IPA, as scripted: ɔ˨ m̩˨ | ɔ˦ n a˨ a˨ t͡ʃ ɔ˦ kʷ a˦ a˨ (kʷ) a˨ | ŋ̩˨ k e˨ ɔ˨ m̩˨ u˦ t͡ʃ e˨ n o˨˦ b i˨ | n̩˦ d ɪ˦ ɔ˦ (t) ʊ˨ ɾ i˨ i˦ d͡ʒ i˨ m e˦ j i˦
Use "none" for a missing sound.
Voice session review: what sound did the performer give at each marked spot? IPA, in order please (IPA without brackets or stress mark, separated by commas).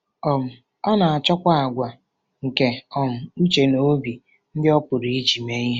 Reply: ɡʷ, p